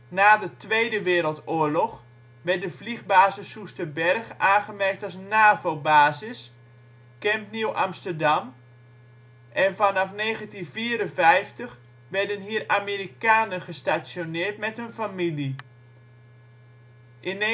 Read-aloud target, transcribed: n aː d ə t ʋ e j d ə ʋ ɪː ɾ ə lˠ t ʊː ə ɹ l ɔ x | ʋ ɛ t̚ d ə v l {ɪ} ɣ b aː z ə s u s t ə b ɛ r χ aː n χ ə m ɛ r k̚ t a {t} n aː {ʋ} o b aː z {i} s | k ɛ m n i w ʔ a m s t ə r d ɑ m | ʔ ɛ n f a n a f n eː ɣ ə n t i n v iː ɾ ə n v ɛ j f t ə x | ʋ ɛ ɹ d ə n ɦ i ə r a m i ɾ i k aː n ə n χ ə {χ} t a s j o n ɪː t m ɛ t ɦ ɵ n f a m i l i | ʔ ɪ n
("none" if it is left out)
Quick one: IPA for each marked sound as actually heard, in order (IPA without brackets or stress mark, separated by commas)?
i, s, v, ɪ, s